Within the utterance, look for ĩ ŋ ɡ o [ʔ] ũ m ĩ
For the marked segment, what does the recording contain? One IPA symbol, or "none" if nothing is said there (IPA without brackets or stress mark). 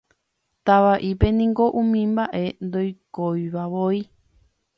ʔ